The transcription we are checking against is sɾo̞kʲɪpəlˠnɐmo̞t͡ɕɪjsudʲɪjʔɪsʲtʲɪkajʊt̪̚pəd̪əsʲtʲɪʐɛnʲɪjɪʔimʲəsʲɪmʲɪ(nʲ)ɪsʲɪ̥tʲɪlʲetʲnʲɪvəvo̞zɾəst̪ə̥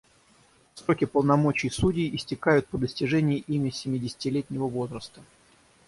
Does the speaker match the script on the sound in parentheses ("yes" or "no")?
no